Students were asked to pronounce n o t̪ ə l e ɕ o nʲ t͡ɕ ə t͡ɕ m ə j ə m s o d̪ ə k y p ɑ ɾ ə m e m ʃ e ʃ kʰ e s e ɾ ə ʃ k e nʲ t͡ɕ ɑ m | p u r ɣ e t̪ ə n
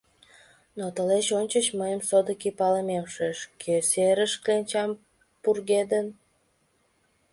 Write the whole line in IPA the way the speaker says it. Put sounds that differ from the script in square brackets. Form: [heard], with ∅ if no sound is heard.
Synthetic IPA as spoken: n o t̪ ə l e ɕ o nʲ t͡ɕ ə t͡ɕ m ə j ə m s o d̪ ə k [i] p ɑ [l] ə m e m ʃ e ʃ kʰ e s e ɾ ə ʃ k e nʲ t͡ɕ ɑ m | p u r ɣ e [d̪] ə n

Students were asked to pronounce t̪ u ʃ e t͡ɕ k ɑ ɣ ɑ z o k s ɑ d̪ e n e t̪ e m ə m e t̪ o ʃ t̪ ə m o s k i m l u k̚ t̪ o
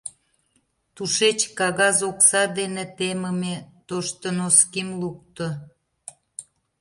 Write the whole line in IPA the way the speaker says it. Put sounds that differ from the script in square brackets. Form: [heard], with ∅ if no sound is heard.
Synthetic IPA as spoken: t̪ u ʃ e t͡ɕ k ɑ ɣ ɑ z o k s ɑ d̪ e n e t̪ e m ə m e t̪ o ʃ t̪ ə [n] o s k i m l u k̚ t̪ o

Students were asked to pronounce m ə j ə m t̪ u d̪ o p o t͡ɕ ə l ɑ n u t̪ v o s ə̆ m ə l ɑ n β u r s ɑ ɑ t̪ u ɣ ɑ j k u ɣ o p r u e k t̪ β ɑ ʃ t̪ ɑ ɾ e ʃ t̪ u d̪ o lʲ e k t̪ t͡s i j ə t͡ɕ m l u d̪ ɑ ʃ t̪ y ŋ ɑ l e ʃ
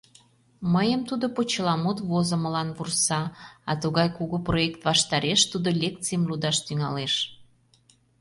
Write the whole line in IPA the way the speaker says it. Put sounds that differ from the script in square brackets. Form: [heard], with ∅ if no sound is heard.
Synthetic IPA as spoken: m ə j ə m t̪ u d̪ o p o t͡ɕ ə l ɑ [m] u t̪ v o [z] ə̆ m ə l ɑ n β u r s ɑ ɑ t̪ u ɣ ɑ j k u ɣ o p r [o] e k t̪ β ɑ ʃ t̪ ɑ ɾ e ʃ t̪ u d̪ o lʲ e k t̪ t͡s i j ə [∅] m l u d̪ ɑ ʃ t̪ y ŋ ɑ l e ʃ

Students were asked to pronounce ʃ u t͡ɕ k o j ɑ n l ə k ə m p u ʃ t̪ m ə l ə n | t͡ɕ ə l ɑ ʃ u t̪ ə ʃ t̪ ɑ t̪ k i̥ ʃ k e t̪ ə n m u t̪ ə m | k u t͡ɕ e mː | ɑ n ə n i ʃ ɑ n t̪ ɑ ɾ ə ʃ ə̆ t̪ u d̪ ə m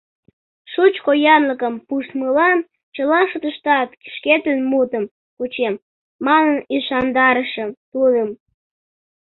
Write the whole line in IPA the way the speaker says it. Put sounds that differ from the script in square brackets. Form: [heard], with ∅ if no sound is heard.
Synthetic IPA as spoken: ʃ u t͡ɕ k o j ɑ n l ə k ə m p u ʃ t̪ m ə l [ɑ] n | t͡ɕ ə l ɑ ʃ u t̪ ə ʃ t̪ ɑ t̪ k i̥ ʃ k e t̪ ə n m u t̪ ə m | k u t͡ɕ e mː | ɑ n ə n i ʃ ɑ n [d̪] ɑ ɾ ə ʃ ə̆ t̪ u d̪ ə m

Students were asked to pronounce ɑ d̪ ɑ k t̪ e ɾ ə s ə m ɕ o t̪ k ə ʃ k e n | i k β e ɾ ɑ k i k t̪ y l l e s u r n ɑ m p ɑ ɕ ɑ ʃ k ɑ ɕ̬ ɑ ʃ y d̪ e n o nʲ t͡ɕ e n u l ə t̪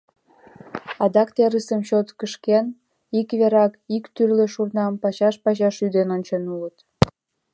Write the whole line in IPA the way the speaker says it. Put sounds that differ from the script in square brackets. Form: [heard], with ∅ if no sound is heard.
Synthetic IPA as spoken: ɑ d̪ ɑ k t̪ e ɾ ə s ə m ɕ o t̪ k ə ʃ k e n | i k β e ɾ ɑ k i k t̪ y [r] l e [ʃ] u r n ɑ m p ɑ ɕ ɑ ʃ [p] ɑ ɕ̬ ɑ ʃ y d̪ e n o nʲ t͡ɕ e n u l ə t̪

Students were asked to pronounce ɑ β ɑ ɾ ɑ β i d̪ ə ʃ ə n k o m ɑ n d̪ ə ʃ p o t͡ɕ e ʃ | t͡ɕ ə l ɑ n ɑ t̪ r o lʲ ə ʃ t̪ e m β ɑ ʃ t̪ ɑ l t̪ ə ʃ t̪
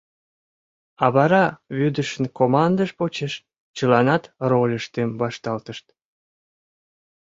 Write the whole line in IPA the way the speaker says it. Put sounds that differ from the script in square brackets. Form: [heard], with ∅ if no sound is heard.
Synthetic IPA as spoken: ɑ β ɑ ɾ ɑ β [y] d̪ ə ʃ ə n k o m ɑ n d̪ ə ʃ p o t͡ɕ e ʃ | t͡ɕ ə l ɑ n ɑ t̪ r o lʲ ə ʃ t̪ e m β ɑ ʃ t̪ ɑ l t̪ ə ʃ t̪

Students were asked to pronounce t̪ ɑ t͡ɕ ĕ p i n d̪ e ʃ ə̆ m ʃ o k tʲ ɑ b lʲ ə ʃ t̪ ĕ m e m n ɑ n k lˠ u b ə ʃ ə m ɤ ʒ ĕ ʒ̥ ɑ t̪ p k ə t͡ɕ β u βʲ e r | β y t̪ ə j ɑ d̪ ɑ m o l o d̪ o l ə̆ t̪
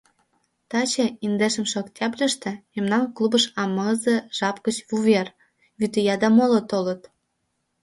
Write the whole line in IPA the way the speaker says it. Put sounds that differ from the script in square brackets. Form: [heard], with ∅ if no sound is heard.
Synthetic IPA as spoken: t̪ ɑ t͡ɕ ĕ [∅] i n d̪ e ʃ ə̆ m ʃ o k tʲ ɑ b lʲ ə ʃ t̪ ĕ m e m n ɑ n k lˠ u b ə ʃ [ɑ] m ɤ [z] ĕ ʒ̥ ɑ [∅] p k ə t͡ɕ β u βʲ e r | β y t̪ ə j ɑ d̪ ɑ m o l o [t̪] o l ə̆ t̪

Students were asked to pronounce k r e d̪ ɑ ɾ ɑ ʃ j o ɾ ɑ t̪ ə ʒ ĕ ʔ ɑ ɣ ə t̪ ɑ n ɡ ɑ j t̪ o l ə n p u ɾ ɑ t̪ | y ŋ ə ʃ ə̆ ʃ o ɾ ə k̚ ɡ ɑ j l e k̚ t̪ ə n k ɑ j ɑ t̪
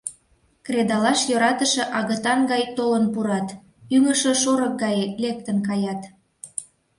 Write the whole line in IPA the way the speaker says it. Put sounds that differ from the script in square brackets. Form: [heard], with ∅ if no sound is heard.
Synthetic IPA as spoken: k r e d̪ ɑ [l] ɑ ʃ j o ɾ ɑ t̪ ə [ʃ] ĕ ʔ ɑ ɣ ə t̪ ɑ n ɡ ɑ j t̪ o l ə n p u ɾ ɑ t̪ | y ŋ ə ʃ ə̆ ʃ o ɾ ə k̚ ɡ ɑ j l e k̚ t̪ ə n k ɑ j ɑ t̪

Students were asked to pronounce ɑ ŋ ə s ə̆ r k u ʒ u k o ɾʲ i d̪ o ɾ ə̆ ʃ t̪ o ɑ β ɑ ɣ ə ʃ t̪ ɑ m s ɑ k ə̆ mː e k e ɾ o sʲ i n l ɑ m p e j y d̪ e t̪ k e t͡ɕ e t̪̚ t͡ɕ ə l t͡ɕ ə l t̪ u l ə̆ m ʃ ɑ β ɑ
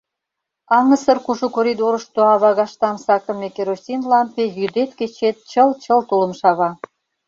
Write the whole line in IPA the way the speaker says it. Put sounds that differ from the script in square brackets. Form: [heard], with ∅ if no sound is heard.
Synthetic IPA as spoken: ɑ ŋ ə s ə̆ r k u ʒ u k o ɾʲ i d̪ o ɾ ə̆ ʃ t̪ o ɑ β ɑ ɣ [ɑ] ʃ t̪ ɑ m s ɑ k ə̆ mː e k e ɾ o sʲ i n l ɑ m p e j y d̪ e t̪ k e t͡ɕ e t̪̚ t͡ɕ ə l t͡ɕ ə l t̪ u l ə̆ m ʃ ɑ β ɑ

